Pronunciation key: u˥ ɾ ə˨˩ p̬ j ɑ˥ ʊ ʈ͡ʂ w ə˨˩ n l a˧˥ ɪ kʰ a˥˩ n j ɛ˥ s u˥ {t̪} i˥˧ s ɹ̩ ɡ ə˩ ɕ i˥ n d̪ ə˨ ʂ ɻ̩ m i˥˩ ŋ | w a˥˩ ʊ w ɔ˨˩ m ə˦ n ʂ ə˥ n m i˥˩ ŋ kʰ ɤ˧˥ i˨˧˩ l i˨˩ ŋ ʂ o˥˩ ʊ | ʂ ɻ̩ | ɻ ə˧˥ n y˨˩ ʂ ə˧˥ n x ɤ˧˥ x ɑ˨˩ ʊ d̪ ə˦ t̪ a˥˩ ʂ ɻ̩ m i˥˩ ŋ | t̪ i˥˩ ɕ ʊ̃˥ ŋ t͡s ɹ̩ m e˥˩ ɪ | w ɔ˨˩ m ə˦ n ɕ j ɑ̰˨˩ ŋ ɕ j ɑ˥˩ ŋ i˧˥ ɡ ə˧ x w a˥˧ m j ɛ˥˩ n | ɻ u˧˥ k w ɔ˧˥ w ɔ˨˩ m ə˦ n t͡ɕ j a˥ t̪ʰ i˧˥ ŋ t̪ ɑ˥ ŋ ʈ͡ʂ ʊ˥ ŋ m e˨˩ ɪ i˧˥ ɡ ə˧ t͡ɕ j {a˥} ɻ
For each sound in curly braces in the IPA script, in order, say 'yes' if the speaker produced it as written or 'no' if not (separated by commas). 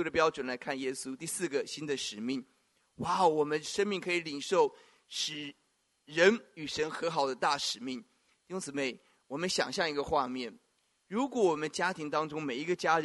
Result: yes, yes